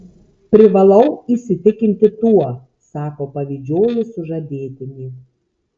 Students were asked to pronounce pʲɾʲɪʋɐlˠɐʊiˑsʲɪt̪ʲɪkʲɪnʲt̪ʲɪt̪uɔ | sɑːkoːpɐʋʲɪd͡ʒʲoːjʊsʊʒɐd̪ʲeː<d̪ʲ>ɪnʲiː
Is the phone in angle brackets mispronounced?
yes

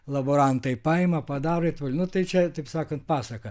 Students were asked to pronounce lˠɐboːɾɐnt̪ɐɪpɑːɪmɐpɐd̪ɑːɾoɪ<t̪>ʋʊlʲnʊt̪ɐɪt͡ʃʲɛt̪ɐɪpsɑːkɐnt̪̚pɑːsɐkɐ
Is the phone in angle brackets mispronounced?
no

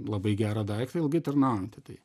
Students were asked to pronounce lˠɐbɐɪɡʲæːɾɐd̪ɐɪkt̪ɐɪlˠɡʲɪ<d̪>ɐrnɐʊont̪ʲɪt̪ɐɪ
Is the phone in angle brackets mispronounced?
yes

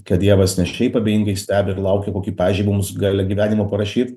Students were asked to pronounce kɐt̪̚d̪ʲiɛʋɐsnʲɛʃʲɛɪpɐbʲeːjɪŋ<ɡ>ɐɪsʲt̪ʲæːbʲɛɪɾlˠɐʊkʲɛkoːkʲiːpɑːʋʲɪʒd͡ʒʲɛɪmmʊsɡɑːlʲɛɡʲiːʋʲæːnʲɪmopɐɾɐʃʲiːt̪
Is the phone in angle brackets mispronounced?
no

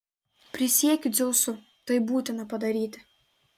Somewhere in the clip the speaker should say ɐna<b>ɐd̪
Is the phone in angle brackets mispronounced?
yes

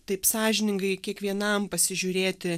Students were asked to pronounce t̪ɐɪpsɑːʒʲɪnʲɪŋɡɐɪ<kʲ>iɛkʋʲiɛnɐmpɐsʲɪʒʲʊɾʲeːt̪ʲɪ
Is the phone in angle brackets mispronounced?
no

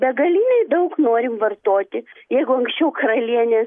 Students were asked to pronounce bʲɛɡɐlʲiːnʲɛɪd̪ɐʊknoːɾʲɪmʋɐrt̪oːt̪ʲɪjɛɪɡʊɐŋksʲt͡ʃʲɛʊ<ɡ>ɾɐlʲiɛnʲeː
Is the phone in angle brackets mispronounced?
yes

